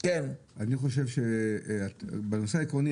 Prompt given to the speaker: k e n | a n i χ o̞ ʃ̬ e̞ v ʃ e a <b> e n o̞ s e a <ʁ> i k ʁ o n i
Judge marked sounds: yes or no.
yes, no

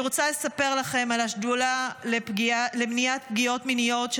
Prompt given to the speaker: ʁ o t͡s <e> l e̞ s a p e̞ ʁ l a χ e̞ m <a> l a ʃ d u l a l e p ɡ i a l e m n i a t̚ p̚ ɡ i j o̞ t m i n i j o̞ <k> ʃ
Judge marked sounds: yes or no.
no, yes, no

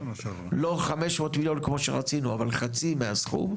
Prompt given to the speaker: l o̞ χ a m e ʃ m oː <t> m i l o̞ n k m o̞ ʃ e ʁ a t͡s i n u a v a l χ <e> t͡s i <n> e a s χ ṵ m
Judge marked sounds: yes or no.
yes, no, no

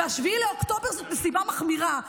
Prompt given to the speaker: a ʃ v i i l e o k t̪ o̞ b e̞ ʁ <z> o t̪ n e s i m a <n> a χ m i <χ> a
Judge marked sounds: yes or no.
yes, no, no

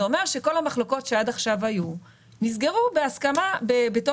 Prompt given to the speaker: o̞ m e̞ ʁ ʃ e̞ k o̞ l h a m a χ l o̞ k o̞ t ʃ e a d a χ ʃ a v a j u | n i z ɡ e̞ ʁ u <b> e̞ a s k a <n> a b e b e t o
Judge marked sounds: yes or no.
yes, no

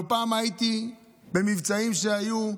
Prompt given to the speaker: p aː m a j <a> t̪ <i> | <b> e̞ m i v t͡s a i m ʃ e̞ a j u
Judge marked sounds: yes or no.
no, yes, yes

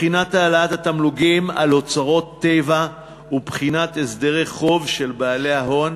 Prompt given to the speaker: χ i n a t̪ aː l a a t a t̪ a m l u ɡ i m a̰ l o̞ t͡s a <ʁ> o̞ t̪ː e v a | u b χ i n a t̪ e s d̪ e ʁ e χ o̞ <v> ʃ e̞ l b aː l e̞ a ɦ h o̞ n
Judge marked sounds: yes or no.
yes, yes

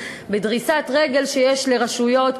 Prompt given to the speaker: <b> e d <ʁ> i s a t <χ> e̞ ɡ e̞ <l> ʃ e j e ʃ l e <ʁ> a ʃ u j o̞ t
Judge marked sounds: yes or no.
yes, yes, no, yes, yes

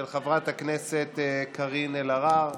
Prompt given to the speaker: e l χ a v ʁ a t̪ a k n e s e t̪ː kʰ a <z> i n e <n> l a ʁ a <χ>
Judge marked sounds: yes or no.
no, no, no

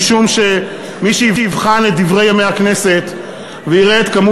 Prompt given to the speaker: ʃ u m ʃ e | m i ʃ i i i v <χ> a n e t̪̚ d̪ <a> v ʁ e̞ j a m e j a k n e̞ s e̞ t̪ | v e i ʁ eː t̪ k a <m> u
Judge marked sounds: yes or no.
yes, no, yes

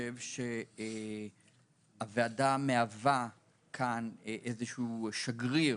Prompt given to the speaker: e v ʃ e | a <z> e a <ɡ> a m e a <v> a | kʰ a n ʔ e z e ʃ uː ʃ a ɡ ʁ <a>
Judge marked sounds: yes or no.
no, no, yes, no

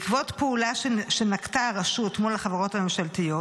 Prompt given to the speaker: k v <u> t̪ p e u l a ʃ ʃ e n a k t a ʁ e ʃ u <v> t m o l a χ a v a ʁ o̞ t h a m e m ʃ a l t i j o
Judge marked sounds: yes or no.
no, no

